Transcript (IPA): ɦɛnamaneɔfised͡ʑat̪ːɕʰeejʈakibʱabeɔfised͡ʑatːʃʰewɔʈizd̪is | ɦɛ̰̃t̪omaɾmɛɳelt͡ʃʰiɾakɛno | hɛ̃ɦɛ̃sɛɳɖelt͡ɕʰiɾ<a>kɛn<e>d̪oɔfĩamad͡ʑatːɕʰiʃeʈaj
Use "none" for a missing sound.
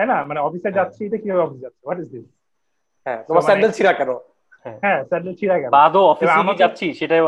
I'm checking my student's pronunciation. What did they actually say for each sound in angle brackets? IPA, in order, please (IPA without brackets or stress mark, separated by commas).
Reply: a, a